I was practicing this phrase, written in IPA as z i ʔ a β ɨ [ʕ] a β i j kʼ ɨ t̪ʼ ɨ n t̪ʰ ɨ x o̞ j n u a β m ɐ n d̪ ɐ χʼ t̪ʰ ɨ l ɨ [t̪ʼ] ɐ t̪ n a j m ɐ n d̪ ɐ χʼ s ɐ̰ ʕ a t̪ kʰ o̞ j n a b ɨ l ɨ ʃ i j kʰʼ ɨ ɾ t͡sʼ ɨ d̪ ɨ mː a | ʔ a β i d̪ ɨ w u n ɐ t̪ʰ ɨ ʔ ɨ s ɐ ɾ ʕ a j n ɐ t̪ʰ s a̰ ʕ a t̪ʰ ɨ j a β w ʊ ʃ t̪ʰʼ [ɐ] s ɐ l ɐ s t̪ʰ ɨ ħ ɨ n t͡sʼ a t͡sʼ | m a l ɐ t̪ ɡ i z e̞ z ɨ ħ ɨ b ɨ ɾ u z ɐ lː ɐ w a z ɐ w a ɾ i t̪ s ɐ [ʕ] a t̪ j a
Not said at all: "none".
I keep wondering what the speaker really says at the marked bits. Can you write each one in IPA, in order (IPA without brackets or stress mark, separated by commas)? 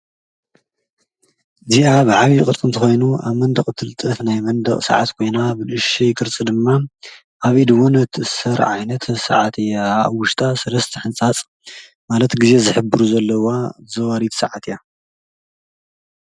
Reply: ʕ, t̪ʼ, a, ʕ